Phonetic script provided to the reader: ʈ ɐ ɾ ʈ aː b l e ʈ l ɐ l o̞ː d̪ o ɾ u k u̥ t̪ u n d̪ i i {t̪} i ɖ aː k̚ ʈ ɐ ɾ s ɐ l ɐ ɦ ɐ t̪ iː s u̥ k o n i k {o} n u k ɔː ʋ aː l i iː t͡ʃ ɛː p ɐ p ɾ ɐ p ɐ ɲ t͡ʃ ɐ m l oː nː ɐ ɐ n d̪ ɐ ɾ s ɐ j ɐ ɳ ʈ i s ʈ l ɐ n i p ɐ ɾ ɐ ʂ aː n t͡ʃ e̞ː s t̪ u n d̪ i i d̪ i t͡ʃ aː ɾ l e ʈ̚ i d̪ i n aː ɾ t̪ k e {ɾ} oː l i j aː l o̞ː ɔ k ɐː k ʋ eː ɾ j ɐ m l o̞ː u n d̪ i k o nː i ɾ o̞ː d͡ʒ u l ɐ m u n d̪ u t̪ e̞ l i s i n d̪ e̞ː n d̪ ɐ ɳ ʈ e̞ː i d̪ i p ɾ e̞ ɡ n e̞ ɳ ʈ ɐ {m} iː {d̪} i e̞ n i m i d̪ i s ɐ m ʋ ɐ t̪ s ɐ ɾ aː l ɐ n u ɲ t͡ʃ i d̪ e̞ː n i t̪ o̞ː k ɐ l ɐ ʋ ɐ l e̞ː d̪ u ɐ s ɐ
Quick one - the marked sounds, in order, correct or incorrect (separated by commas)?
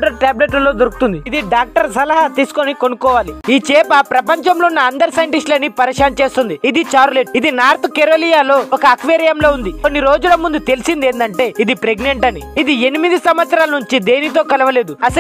incorrect, correct, correct, incorrect, correct